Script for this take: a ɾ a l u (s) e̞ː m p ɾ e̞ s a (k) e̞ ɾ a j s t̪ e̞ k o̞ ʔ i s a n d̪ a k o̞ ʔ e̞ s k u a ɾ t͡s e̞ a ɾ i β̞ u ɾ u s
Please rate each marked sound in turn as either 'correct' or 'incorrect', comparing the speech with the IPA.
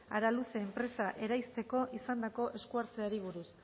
correct, incorrect

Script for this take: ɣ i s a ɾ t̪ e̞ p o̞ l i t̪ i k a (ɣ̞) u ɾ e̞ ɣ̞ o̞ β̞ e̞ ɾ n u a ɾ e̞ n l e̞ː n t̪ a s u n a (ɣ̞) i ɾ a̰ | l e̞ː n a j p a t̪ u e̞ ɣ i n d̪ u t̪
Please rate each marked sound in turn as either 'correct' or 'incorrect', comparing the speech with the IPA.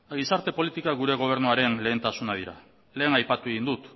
correct, incorrect

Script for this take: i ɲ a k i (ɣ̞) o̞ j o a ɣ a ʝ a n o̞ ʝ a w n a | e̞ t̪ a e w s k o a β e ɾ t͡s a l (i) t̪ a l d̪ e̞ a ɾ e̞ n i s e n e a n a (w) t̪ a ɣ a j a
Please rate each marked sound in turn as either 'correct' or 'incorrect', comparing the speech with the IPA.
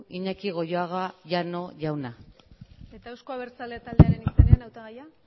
correct, incorrect, correct

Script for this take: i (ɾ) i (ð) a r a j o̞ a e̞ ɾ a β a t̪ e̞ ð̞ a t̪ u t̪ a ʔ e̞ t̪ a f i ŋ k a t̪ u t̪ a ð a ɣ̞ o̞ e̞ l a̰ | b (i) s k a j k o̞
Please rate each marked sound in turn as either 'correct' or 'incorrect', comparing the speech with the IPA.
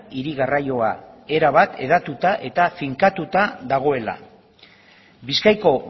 correct, incorrect, correct

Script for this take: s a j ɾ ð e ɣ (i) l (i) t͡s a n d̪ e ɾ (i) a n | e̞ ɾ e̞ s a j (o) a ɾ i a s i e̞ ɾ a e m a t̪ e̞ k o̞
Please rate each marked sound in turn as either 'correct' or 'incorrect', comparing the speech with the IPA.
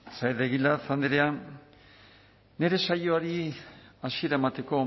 correct, incorrect, incorrect, correct

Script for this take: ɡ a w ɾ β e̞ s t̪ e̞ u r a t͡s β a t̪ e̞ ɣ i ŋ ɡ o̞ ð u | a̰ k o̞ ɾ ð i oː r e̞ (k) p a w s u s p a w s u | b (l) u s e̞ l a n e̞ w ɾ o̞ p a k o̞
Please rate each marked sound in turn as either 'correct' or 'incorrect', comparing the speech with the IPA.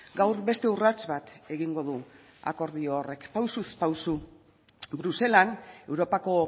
correct, incorrect

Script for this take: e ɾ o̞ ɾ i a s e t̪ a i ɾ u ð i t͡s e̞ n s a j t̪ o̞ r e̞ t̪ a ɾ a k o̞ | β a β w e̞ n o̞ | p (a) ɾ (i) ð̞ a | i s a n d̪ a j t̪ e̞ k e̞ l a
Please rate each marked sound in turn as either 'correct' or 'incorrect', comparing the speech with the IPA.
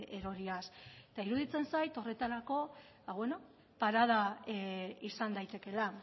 correct, incorrect

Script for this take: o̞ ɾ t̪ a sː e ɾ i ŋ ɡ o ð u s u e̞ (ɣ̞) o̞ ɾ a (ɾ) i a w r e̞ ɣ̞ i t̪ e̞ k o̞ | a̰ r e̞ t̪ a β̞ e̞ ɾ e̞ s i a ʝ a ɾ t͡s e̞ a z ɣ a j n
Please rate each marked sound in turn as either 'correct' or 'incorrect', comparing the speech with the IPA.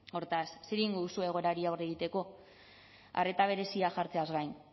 correct, correct

